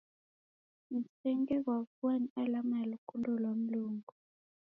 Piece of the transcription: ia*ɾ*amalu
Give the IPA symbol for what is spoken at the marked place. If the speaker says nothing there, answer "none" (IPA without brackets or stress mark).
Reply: l